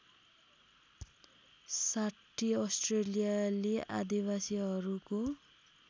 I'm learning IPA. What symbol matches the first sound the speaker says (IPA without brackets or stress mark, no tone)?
s